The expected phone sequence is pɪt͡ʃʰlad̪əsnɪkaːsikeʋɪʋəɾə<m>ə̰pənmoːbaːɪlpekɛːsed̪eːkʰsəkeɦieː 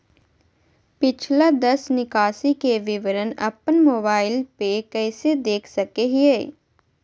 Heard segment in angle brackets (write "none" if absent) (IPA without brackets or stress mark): n